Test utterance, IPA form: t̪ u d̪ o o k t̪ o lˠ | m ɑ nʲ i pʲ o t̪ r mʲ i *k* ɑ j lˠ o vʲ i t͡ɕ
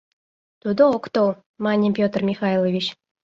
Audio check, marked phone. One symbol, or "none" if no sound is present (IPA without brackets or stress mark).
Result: x